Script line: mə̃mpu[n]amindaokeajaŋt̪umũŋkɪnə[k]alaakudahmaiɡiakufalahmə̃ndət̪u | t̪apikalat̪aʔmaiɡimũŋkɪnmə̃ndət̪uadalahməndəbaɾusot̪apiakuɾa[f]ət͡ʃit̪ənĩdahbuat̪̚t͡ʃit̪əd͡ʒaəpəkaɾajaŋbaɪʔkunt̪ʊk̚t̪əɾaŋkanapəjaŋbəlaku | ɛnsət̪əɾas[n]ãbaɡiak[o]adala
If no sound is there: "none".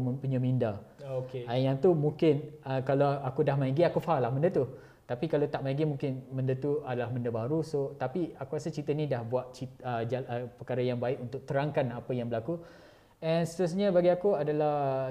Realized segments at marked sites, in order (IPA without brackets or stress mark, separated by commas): ɲ, k, s, ɲ, u